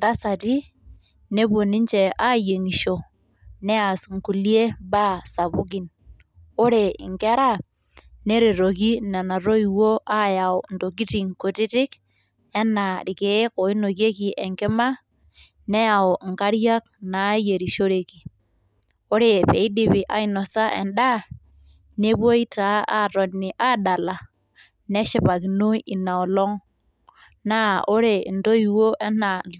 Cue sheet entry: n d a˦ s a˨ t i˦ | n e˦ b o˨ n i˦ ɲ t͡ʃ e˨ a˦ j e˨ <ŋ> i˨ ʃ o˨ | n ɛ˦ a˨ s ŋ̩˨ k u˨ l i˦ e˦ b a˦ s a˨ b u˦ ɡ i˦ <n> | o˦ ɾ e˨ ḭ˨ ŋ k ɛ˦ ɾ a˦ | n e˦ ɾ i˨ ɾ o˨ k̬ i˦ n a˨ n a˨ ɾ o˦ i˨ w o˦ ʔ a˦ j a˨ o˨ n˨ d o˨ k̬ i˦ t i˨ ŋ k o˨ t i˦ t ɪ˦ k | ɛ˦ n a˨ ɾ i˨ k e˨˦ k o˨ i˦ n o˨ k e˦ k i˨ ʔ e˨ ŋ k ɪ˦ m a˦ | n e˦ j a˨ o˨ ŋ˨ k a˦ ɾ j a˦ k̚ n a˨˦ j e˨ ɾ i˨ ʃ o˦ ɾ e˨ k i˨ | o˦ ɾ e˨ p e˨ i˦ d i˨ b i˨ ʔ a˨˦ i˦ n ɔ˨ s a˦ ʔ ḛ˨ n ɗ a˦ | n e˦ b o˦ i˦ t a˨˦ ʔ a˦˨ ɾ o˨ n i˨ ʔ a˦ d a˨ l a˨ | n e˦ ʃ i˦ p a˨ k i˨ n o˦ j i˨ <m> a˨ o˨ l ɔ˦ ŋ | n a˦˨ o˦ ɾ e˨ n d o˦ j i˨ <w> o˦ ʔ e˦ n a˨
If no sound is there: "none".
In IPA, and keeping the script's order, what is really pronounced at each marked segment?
ŋ, n, n, w

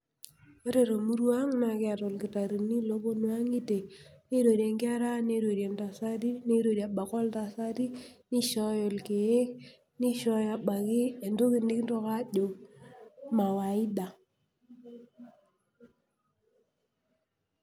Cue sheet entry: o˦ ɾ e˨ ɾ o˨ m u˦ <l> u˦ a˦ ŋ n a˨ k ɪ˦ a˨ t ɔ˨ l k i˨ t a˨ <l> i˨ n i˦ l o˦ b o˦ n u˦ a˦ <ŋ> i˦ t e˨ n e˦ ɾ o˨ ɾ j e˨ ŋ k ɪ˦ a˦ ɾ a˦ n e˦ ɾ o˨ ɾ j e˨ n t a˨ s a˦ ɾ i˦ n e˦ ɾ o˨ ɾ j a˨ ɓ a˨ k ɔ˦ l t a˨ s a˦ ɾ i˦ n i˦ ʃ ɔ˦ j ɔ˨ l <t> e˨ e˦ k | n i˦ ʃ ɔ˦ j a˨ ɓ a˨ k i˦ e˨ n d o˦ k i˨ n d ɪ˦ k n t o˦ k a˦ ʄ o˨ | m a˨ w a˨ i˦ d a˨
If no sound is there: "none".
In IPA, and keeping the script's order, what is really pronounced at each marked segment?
ɾ, ɾ, ŋ, k

